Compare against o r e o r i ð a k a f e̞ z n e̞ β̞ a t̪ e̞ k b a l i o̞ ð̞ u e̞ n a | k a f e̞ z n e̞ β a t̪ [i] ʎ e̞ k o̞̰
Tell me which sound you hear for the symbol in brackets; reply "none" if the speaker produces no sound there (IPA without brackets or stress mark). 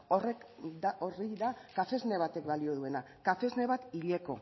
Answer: i